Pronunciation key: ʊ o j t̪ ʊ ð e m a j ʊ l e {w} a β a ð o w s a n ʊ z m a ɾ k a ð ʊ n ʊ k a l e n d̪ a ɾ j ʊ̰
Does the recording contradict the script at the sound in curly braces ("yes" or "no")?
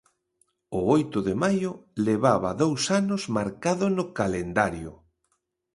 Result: yes